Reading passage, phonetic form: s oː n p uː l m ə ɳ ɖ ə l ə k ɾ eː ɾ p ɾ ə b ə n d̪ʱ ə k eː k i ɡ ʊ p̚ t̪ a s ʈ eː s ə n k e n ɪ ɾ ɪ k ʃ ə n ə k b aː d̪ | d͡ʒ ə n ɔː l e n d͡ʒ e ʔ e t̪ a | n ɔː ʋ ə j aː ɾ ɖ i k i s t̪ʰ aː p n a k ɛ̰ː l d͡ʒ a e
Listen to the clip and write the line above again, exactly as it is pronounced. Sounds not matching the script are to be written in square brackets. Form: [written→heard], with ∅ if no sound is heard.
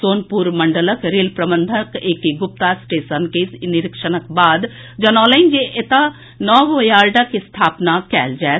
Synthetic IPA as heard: s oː n p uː [l→ɾ] m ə ɳ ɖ ə l ə k ɾ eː [ɾ→l] p ɾ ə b ə n d̪ʱ ə k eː k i ɡ ʊ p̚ t̪ a s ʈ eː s ə n k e n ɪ ɾ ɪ k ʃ ə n ə k b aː d̪ | d͡ʒ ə n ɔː l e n d͡ʒ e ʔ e t̪ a | n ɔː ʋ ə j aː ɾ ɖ [i→a] k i s t̪ʰ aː p n a k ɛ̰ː l d͡ʒ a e